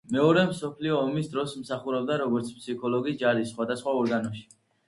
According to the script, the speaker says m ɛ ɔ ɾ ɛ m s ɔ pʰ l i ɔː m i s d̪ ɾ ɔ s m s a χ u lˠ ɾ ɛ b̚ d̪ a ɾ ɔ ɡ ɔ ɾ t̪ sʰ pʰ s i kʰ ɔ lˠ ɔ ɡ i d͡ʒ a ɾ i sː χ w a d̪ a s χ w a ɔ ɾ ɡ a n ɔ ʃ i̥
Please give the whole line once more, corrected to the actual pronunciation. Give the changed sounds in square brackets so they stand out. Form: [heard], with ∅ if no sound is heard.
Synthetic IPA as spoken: m ɛ ɔ ɾ ɛ m s ɔ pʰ l i ɔː m i s d̪ ɾ ɔ s m s a χ u [∅] ɾ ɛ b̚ d̪ a ɾ ɔ ɡ ɔ ɾ t̪ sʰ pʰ s i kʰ ɔ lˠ ɔ ɡ i d͡ʒ a ɾ i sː χ w a d̪ a s χ w a ɔ ɾ ɡ a n ɔ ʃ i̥